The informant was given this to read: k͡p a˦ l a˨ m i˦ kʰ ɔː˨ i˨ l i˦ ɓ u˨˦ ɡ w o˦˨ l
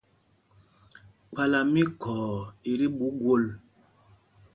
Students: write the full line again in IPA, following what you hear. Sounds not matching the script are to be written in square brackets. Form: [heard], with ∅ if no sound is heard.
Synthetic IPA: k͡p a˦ l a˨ m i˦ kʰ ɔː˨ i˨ [ɾ] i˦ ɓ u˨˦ ɡ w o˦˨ l